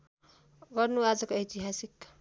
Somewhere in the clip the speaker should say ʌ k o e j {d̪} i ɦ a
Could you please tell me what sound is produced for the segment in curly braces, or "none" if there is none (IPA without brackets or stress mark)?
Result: t̪